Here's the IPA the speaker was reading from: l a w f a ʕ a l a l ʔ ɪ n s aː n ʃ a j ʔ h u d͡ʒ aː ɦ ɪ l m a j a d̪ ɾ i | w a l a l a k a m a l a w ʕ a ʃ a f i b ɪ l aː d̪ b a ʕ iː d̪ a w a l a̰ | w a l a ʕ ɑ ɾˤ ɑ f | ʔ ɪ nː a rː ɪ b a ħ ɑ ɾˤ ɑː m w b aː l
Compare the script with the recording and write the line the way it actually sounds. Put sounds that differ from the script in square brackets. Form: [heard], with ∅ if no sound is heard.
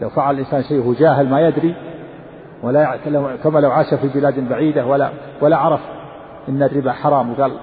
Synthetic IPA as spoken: l a w f a ʕ a l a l ʔ ɪ n s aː n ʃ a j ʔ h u d͡ʒ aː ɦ ɪ l m a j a d̪ ɾ i | w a l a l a k a m a l a w ʕ a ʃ a f i b ɪ l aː d̪ b a ʕ iː d̪ a w a l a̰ | w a l a ʕ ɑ ɾˤ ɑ f | ʔ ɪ nː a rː ɪ b a ħ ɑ ɾˤ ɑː m w [ɡ] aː l